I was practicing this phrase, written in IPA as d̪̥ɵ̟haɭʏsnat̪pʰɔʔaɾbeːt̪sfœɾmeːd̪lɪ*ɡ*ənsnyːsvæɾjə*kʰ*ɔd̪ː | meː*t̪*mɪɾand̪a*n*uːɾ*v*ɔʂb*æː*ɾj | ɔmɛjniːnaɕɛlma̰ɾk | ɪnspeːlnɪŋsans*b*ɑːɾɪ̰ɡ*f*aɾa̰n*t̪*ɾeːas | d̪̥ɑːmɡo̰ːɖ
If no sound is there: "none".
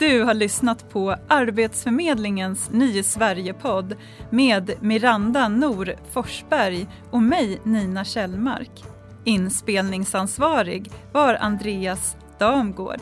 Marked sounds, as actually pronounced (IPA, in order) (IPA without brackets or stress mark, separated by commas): ŋ, pʰ, d̪, n, f, æ, v, v, d̪